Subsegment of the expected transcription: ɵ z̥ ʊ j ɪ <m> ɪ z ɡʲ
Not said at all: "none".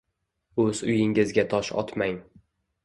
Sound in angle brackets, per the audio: ŋ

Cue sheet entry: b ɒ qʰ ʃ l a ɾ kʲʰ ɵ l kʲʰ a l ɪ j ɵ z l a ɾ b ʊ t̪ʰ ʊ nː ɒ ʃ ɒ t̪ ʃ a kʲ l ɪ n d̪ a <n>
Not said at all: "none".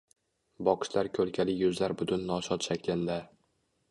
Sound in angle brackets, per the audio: none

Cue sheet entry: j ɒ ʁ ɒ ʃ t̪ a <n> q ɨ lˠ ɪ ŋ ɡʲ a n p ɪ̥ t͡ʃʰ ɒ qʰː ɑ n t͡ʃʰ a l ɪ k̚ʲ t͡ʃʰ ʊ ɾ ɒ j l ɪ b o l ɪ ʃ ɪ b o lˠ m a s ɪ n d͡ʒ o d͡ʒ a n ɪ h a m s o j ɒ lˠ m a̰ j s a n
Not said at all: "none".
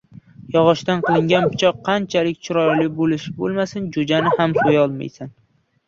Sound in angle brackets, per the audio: n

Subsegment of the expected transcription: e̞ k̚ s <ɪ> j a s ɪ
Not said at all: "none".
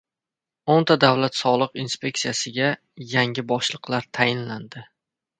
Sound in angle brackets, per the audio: i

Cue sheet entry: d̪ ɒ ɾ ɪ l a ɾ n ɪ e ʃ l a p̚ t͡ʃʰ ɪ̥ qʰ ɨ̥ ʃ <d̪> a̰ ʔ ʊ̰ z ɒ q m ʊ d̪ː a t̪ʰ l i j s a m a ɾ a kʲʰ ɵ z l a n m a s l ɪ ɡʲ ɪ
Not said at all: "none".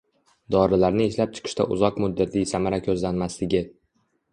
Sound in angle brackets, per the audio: t̪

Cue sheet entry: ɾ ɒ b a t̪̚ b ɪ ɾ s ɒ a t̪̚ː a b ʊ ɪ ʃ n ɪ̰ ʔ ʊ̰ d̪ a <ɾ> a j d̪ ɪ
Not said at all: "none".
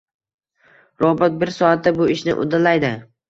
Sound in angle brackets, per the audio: l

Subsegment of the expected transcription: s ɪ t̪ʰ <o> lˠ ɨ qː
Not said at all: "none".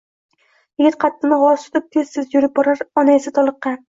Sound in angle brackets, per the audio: ɒ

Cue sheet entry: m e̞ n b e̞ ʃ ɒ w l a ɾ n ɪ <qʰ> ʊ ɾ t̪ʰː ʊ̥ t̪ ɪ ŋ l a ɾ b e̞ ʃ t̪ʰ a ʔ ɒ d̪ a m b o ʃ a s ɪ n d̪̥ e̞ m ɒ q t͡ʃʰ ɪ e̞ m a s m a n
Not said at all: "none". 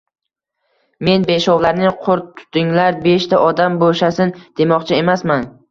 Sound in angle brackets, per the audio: qʰ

